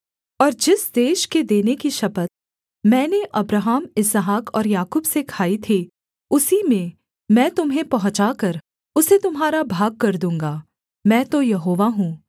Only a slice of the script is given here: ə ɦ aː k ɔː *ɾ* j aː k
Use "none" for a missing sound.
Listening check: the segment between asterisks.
ɾ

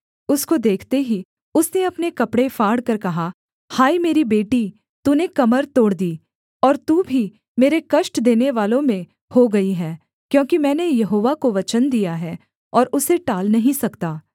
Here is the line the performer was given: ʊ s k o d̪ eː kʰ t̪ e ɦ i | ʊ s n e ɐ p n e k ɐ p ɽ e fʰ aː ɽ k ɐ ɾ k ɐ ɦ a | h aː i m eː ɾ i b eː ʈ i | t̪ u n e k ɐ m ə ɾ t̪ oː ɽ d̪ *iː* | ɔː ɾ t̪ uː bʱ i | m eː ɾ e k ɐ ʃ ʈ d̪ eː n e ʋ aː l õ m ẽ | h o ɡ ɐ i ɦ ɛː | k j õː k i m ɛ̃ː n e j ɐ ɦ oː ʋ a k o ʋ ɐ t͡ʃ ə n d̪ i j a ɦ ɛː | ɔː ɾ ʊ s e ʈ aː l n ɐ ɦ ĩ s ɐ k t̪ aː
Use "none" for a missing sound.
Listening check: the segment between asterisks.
iː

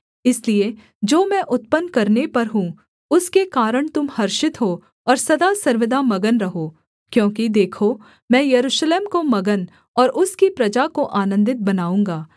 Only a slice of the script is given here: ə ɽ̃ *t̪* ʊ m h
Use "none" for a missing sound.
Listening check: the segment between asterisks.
t̪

